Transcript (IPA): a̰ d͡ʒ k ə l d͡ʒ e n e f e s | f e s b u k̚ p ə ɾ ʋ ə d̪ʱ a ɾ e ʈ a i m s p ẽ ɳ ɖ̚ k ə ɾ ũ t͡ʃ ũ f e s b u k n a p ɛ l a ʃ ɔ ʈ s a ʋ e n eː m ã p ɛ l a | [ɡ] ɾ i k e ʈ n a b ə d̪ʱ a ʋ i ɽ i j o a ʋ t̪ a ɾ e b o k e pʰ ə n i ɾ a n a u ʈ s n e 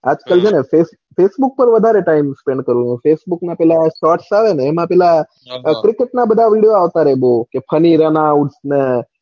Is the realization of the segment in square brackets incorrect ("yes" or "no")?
yes